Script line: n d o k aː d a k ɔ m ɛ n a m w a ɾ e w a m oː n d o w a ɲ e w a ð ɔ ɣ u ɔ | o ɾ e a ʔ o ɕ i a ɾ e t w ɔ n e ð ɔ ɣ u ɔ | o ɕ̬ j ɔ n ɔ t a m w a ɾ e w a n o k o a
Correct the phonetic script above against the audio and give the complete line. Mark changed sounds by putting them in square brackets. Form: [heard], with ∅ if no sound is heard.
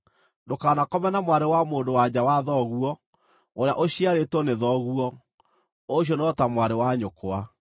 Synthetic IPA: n d o k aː [n] a k ɔ m ɛ n a m w a ɾ e w a m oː n d o w a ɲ [a] w a ð ɔ ɣ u ɔ | o ɾ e a ʔ o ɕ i a ɾ e t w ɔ n e ð ɔ ɣ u ɔ | o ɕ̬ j ɔ n ɔ t a m w a ɾ e w a [ɲ] o k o a